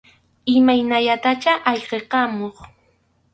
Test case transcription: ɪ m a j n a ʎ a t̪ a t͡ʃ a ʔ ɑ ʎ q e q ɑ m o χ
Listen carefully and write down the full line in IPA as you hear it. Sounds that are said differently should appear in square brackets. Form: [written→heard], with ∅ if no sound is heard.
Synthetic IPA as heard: ɪ m a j n a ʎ a t̪ a t͡ʃ a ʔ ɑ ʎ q e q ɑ m o χ